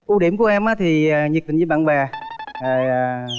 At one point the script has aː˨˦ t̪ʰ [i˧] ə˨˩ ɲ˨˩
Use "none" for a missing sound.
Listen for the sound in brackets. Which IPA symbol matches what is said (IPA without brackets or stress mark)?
i˨˩